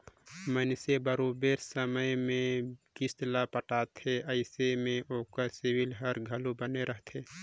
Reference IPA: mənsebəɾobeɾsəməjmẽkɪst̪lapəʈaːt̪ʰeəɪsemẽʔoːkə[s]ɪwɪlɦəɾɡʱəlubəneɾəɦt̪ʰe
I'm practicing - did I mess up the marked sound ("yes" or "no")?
no